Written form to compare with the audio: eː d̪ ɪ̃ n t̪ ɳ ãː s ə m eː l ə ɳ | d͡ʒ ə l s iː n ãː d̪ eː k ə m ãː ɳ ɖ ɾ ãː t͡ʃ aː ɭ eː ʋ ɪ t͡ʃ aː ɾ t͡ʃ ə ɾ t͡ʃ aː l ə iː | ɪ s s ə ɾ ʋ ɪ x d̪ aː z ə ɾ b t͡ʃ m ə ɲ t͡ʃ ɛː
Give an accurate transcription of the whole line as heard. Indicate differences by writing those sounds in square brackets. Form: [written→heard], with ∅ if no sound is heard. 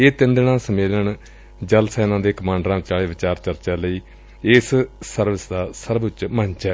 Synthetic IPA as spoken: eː [d̪→t̪] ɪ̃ n [t̪→d̪] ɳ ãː s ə m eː l ə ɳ | d͡ʒ ə l s [iː→ɛː] n ãː d̪ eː k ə m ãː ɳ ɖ ɾ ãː t͡ʃ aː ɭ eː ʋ ɪ t͡ʃ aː ɾ t͡ʃ ə ɾ t͡ʃ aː l ə iː | ɪ s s ə ɾ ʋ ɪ [x→s] d̪ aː [z→s] ə ɾ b t͡ʃ m ə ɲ t͡ʃ ɛː